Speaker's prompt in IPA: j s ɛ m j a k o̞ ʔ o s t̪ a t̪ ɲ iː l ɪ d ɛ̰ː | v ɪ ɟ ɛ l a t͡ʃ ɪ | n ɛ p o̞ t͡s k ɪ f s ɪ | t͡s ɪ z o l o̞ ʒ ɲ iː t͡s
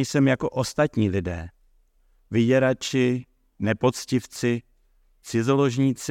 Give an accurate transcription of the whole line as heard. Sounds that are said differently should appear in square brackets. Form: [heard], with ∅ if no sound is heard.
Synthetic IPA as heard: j s ɛ m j a k o̞ ʔ o s t̪ a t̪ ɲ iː l ɪ d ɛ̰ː | v ɪ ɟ ɛ [ɾ] a t͡ʃ ɪ | n ɛ p o̞ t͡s [c] ɪ f [t͡s] ɪ | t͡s ɪ z o l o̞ ʒ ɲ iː t͡s